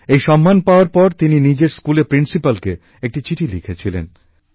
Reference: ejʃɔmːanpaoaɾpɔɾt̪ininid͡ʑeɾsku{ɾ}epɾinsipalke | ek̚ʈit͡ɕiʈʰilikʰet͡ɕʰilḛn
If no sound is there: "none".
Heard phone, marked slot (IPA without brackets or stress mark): l